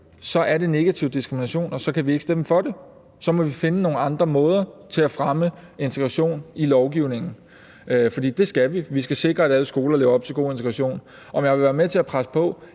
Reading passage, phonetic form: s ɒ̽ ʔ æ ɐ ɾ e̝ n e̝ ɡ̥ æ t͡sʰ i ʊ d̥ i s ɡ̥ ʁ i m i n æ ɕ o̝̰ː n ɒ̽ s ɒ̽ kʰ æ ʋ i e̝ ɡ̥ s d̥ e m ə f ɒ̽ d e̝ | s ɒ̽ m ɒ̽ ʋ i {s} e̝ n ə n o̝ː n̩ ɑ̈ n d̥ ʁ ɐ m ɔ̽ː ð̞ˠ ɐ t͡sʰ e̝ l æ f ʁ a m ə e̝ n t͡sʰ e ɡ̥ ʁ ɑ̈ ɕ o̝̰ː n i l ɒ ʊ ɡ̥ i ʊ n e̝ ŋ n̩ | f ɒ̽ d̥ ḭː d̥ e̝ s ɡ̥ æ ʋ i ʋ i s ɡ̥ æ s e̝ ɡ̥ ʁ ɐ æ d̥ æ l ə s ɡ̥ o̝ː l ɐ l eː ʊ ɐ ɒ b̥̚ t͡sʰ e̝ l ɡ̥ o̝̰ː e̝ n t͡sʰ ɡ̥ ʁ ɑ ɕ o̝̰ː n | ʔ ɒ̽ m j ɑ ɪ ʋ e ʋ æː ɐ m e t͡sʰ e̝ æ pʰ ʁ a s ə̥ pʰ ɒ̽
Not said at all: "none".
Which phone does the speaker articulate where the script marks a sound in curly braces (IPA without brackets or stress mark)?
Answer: f